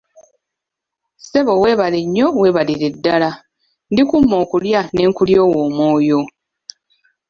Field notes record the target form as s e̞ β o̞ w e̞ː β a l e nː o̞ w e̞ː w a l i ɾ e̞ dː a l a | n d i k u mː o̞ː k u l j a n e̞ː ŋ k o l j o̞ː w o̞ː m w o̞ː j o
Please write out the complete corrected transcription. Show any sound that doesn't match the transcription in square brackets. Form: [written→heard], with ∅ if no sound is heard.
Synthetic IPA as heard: s e̞ β o̞ w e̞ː β a l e [nː→ɲː] o̞ w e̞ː [w→β] a l i ɾ e̞ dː a l a | n d i k u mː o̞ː k u l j a n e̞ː ŋ k [o→u] l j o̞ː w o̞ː m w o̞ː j o